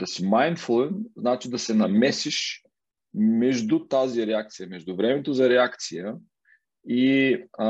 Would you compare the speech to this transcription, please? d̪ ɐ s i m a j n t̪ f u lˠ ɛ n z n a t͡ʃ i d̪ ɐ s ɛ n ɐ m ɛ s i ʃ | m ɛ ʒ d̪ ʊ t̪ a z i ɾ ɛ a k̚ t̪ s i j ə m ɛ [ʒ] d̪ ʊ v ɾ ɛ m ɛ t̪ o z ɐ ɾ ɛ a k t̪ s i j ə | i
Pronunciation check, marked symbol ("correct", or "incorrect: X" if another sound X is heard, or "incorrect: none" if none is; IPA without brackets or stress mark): correct